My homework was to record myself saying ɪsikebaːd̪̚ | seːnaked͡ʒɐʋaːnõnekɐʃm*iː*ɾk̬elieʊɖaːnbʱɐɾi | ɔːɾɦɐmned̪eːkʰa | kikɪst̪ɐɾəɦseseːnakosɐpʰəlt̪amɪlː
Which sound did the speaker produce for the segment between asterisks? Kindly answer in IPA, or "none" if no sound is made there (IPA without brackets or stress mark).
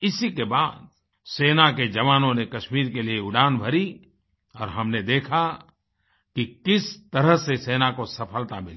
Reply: iː